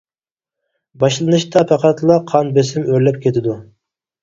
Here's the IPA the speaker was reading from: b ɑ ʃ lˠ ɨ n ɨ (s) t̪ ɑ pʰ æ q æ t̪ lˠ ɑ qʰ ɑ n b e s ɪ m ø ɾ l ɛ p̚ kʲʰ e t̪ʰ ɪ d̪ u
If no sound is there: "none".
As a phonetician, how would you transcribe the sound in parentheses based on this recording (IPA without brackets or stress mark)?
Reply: ʃ